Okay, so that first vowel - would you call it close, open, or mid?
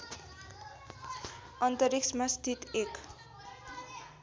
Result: mid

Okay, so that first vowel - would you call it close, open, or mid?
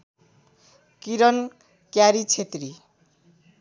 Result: close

